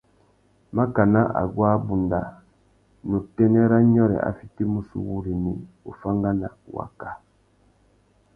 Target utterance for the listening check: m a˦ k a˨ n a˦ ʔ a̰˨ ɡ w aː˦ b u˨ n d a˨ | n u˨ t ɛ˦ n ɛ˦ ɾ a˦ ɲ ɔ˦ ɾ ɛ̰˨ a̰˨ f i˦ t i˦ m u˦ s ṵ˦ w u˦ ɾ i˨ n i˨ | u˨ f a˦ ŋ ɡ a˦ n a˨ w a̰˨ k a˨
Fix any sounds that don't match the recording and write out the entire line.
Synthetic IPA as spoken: m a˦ k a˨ n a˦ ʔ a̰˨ ɡ w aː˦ b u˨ n d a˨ | n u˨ t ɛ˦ n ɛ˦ ɾ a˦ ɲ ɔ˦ ɾ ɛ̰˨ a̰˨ f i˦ t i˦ m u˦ s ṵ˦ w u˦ ɾ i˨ n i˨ | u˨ f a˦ ŋ ɡ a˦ n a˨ w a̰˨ k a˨